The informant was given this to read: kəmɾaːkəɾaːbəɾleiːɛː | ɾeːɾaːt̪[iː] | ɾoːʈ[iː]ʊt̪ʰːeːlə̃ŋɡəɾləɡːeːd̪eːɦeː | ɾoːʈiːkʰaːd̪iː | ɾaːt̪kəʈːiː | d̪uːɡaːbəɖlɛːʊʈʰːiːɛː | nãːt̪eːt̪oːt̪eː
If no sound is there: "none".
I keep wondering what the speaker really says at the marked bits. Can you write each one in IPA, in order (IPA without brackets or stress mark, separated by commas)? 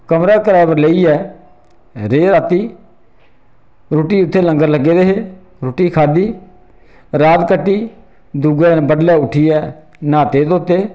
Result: iː, iː